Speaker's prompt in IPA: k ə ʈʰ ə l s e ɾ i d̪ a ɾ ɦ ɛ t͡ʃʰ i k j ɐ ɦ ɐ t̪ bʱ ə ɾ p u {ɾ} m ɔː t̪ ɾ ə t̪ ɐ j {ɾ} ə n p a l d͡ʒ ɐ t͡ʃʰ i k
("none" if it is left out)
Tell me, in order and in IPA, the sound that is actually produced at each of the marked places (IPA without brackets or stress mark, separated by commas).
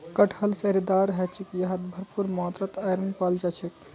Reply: ɾ, ɾ